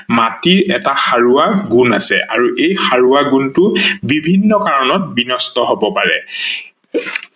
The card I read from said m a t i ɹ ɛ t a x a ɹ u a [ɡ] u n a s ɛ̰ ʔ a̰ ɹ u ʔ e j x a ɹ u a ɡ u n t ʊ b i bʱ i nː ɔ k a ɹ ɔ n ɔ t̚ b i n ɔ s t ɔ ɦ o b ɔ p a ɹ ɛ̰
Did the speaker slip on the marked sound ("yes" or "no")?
no